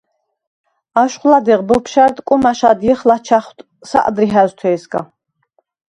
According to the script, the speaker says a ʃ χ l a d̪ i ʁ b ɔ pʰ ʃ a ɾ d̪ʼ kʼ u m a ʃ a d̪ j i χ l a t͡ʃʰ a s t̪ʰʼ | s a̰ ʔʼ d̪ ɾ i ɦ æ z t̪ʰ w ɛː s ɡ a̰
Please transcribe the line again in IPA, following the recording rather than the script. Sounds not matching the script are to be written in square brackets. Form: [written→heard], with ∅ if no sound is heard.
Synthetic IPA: a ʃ χ l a d̪ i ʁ b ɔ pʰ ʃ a ɾ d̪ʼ kʼ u m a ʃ a d̪ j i χ l a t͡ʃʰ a [s→χ] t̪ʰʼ | s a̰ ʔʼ d̪ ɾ i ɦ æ z t̪ʰ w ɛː s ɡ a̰